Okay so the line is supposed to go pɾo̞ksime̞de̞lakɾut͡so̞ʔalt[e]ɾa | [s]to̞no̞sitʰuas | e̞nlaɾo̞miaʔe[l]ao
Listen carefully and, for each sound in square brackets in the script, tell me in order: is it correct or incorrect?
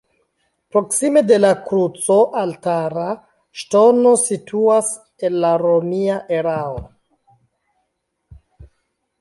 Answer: incorrect: a, incorrect: ʃ, incorrect: ɾ

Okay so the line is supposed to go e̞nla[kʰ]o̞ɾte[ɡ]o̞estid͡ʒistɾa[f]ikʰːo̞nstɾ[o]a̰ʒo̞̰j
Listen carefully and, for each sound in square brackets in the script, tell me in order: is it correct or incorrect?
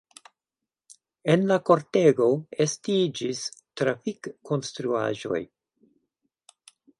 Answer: incorrect: k, correct, correct, incorrect: u

